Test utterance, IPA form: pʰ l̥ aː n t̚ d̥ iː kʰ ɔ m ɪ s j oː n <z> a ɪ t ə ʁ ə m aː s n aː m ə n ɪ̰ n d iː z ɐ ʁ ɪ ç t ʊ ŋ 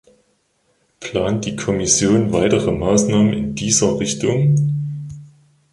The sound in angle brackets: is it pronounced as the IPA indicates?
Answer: no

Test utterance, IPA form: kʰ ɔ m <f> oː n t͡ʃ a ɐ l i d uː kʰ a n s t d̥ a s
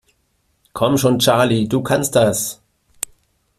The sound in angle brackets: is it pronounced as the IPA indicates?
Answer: no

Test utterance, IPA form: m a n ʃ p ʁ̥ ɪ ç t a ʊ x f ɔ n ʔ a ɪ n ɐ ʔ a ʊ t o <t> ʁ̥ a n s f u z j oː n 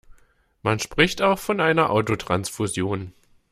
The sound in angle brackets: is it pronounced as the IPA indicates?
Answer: yes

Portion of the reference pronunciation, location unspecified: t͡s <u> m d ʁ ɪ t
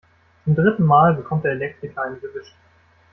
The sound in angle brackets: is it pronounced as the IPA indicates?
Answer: no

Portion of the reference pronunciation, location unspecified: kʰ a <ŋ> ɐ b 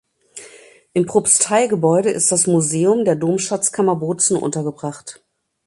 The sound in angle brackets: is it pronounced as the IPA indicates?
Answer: no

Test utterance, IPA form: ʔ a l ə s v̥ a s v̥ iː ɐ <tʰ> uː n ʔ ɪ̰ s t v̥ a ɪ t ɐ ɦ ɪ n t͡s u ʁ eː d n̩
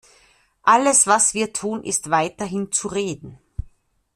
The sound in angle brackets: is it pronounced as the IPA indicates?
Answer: yes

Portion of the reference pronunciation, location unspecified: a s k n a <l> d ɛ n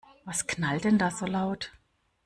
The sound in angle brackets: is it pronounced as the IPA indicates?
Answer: yes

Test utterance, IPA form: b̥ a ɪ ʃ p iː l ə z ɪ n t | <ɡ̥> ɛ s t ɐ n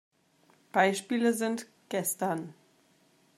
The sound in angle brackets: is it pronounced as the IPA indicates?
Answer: yes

